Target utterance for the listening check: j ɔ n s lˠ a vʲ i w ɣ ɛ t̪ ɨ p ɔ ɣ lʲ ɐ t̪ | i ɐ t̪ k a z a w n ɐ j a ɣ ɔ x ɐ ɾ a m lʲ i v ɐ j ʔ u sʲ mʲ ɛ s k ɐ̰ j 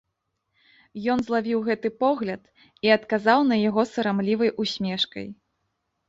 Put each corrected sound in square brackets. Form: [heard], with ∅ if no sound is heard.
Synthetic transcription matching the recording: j ɔ n [z] lˠ a vʲ i w ɣ ɛ t̪ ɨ p ɔ ɣ lʲ ɐ t̪ | i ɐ t̪ k a z a w n ɐ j a ɣ ɔ [s] ɐ ɾ a m lʲ i v ɐ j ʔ u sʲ mʲ ɛ [ʂ] k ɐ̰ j

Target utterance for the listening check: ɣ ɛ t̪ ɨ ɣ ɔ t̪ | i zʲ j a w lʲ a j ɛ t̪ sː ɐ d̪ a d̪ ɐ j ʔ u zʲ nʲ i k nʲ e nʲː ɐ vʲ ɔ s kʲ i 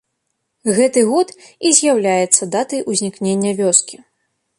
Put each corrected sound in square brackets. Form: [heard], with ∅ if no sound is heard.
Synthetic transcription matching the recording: ɣ ɛ t̪ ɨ ɣ ɔ t̪ | i zʲ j a w lʲ a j ɛ t̪ sː ɐ d̪ a [t̪] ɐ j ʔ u zʲ nʲ i k nʲ e nʲː ɐ vʲ ɔ s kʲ i

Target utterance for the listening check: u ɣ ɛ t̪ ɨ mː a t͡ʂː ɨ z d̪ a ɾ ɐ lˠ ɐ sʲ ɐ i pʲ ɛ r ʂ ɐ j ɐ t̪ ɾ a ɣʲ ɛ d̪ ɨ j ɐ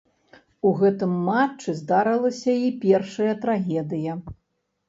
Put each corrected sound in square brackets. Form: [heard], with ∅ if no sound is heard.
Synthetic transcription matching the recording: u ɣ ɛ t̪ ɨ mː a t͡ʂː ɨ z d̪ a ɾ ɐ lˠ ɐ sʲ ɐ i pʲ ɛ r ʂ ɐ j ɐ t̪ ɾ a ɣʲ ɛ d̪ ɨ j ɐ

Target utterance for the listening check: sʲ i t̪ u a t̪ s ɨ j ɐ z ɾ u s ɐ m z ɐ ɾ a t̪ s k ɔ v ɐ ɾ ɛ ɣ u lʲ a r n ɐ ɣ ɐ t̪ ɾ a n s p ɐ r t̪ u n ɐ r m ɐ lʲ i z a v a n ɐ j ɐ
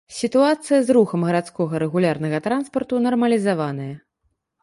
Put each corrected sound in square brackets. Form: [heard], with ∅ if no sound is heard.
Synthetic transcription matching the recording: sʲ i t̪ u a t̪ s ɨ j ɐ z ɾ u [x] ɐ m [ɣ] ɐ ɾ a t̪ s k ɔ [ɣ] ɐ ɾ ɛ ɣ u lʲ a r n ɐ ɣ ɐ t̪ ɾ a n s p ɐ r t̪ u n ɐ r m ɐ lʲ i z a v a n ɐ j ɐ

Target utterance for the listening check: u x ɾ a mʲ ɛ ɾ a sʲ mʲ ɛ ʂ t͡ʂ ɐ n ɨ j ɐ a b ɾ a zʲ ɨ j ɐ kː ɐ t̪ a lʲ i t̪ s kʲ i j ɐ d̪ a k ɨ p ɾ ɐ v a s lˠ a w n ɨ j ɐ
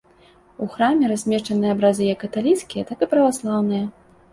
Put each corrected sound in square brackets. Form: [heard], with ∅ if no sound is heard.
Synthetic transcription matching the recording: u x ɾ a mʲ ɛ ɾ a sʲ mʲ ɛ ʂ t͡ʂ ɐ n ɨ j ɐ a b ɾ a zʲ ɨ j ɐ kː ɐ t̪ a lʲ i t̪ s kʲ i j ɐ [t̪] a k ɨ p ɾ ɐ v a s lˠ a w n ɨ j ɐ

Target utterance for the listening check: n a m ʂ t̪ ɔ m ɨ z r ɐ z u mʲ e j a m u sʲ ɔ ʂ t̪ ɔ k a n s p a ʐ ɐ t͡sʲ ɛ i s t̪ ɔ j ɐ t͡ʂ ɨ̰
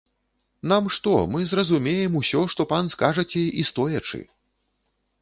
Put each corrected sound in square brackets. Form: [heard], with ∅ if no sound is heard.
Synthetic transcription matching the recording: n a m ʂ t̪ ɔ m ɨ z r ɐ z u mʲ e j [ɛ] m u sʲ ɔ ʂ t̪ ɔ [p] a n s [k] a ʐ ɐ t͡sʲ ɛ i s t̪ ɔ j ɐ t͡ʂ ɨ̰

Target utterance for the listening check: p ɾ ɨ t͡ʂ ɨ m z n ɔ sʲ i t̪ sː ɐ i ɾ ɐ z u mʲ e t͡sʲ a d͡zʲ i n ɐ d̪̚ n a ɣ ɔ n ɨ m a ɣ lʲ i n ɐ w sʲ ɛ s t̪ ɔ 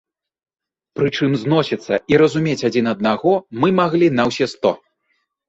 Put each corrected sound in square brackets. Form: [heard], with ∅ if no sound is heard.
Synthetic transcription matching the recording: p ɾ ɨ t͡ʂ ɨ m z n ɔ sʲ i t̪ sː ɐ i ɾ ɐ z u mʲ e t͡sʲ a d͡zʲ i n ɐ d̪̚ n a ɣ ɔ [m] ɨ m a ɣ lʲ i n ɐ w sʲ ɛ s t̪ ɔ

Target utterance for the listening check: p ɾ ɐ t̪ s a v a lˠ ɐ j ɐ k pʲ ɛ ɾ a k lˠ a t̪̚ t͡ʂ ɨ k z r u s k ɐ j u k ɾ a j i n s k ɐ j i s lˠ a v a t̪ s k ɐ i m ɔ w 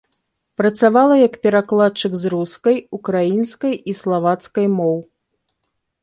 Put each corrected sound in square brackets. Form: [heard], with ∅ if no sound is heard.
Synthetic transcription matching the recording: p ɾ ɐ t̪ s a v a lˠ ɐ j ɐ k pʲ ɛ ɾ a k lˠ a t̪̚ t͡ʂ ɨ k z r u s k ɐ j u k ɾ a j i n s k ɐ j i s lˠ a v a t̪ s k ɐ [j] m ɔ w

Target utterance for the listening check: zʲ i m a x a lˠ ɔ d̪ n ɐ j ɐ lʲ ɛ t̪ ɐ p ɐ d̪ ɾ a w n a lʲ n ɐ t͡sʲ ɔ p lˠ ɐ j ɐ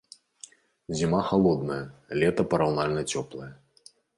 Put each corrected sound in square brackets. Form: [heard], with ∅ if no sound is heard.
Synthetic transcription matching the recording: zʲ i m a x a lˠ ɔ d̪ n ɐ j ɐ lʲ ɛ t̪ ɐ p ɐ [∅] ɾ a w n a lʲ n ɐ t͡sʲ ɔ p lˠ ɐ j ɐ

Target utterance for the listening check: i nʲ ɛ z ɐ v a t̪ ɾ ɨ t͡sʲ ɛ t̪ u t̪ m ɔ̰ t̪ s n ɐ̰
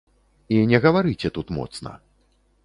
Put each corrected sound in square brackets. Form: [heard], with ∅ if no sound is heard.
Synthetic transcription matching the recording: i nʲ ɛ [ɣ] ɐ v a [∅] ɾ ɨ t͡sʲ ɛ t̪ u t̪ m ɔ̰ t̪ s n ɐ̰

